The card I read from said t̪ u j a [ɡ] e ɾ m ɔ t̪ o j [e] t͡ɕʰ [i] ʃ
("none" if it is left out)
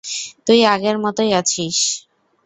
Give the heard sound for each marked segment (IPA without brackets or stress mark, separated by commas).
ɡ, a, i